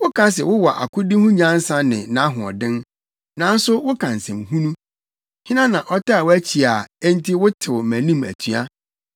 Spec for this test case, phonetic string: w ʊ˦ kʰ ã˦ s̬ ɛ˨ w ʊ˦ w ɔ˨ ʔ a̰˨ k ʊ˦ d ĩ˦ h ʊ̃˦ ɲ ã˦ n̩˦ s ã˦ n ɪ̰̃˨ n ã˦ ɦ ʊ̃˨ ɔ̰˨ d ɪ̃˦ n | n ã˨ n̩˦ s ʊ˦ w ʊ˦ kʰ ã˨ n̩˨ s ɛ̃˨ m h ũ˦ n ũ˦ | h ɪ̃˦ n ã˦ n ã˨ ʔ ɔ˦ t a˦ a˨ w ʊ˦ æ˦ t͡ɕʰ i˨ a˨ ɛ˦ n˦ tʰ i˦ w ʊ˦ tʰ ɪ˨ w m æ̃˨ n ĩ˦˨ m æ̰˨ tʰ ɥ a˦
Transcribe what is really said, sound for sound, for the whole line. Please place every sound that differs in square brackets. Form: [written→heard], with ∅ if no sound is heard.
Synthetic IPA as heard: w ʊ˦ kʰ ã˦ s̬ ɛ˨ w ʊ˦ w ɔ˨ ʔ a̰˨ k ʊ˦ d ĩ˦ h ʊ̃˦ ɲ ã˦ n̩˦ s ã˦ n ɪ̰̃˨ n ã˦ ɦ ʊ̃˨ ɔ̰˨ d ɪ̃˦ n | n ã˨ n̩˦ s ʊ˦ w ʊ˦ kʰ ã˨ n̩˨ s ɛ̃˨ m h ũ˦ n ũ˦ | h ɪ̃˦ n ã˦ n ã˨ ʔ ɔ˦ t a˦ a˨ w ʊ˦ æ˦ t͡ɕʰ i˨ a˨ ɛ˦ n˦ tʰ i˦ w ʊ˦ tʰ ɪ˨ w m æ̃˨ n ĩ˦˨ m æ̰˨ tʰ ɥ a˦

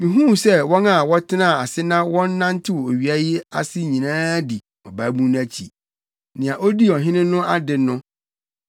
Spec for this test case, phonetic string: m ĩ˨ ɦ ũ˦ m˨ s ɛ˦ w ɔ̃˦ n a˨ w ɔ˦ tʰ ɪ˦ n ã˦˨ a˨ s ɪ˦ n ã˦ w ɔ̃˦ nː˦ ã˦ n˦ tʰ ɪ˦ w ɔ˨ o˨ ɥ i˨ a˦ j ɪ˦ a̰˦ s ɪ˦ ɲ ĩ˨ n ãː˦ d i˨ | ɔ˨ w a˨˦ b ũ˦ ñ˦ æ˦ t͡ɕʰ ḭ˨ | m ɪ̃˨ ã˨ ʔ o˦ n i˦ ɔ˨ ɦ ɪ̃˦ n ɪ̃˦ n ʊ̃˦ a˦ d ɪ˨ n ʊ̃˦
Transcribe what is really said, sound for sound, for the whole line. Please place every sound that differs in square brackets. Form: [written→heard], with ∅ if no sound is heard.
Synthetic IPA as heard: m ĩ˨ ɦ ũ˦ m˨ s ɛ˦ w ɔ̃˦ n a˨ w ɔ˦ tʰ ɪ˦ n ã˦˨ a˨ s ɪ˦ n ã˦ w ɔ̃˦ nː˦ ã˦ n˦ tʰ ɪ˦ w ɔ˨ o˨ ɥ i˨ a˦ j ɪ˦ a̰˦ s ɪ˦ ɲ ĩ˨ n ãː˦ d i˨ | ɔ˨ [w→b] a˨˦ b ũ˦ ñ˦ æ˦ t͡ɕʰ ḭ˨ | [m→n] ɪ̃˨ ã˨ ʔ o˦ [n→d] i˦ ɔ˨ ɦ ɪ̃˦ n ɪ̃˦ n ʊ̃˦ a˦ d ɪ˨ n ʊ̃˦

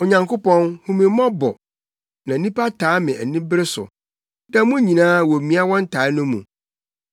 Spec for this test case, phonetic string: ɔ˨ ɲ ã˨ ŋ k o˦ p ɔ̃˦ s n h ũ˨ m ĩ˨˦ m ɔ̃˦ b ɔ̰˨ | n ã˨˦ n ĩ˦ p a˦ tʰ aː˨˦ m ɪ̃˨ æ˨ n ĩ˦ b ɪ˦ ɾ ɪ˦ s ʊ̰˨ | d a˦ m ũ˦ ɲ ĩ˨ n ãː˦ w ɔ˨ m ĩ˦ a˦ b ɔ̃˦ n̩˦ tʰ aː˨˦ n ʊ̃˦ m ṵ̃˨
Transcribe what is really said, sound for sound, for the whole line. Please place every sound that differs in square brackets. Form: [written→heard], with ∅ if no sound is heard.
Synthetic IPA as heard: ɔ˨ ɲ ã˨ ŋ k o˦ p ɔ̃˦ [s→∅] n h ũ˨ m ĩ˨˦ m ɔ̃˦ b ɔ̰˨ | n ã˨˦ n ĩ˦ p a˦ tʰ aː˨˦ m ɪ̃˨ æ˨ n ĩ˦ b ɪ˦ ɾ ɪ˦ s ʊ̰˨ | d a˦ m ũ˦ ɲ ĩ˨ n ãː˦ w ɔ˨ m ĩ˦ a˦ [b→w] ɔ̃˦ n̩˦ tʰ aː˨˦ n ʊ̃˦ m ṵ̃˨

